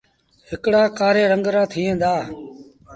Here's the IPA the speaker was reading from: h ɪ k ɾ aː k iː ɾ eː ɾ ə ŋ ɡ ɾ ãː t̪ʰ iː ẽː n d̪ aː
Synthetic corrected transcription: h ɪ k ɽ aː k aː ɾ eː ɾ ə ŋ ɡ ɾ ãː t̪ʰ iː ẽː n d̪ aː